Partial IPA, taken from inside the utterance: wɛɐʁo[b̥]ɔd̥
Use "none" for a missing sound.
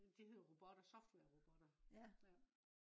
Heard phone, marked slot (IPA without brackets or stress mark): b̥